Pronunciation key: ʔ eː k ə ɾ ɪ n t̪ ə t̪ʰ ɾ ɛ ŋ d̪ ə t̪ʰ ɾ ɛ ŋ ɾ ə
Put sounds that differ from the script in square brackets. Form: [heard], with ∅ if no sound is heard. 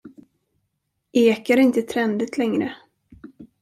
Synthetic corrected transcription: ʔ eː k [a] ɾ ɪ n t̪ ə t̪ʰ ɾ ɛ [n] d̪ ə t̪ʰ [l] ɛ ŋ ɾ ə